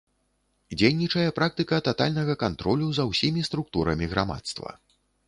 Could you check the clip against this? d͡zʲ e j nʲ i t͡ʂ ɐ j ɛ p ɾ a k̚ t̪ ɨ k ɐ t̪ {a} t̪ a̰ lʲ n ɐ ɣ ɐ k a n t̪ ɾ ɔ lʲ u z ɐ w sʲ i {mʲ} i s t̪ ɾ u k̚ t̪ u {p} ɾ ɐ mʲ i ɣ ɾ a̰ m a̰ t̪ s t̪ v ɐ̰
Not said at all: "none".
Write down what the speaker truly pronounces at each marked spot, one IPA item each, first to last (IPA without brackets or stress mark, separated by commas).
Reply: a, mʲ, none